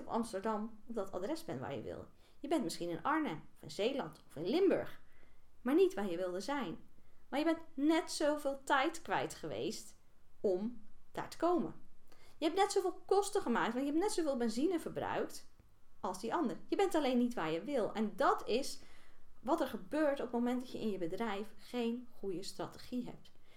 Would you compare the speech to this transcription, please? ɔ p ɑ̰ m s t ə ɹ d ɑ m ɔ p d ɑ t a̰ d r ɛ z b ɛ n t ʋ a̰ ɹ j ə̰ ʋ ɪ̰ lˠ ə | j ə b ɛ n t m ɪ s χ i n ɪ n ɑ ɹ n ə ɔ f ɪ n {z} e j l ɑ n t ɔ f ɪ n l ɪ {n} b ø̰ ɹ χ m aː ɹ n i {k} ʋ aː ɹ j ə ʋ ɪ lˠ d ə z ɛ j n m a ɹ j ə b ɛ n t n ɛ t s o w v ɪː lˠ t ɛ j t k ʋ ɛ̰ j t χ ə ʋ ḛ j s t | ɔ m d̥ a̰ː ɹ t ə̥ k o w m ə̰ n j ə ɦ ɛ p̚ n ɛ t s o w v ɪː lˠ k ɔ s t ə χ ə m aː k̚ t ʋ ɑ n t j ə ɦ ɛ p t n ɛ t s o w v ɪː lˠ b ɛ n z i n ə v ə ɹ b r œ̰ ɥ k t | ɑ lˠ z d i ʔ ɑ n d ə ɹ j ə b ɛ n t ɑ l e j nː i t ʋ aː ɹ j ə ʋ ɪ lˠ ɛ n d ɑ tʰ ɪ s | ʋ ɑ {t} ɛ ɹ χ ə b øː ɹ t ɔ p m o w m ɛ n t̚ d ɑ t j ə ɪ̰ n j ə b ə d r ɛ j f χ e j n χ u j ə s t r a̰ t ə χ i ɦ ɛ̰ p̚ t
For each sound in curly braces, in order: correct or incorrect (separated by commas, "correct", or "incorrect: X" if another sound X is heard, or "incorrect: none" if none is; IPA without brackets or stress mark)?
correct, incorrect: m, incorrect: t, correct